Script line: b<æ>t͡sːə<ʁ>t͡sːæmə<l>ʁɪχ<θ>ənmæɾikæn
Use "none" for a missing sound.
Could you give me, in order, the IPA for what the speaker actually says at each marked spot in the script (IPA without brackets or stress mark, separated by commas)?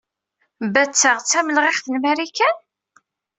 æ, ʁ, l, θ